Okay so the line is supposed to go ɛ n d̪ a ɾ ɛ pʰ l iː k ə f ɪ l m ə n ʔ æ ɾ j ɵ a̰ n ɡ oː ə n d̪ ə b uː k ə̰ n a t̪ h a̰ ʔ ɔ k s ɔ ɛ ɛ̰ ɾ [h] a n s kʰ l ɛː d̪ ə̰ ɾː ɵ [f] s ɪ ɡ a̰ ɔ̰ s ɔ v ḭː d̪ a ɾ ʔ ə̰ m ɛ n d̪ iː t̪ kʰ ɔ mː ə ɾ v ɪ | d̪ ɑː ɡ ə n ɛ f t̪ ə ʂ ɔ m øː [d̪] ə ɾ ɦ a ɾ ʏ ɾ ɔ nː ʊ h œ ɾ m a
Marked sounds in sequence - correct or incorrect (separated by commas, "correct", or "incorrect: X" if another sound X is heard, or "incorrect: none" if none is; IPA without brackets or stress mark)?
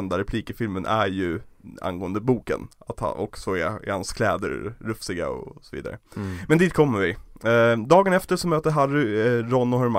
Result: correct, correct, incorrect: t̪